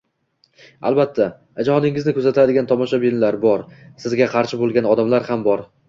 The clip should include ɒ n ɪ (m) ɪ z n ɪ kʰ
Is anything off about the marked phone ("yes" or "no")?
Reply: yes